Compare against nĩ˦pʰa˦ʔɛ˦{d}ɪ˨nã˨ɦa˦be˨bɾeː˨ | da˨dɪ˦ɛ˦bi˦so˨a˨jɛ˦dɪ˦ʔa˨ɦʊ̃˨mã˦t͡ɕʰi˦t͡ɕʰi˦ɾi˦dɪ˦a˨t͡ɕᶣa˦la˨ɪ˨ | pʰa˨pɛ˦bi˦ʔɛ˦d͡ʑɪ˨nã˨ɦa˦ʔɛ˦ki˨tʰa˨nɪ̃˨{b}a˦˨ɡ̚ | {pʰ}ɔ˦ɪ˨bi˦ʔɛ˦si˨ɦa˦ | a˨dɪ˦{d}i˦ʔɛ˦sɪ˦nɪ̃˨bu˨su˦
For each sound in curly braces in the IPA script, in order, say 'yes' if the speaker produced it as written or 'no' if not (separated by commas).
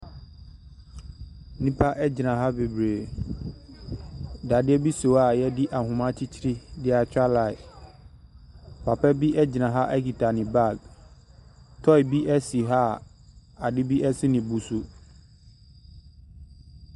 no, yes, no, no